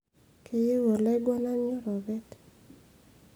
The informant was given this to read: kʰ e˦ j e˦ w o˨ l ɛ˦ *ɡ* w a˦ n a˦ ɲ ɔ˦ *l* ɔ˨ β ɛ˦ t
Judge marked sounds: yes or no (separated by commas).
yes, no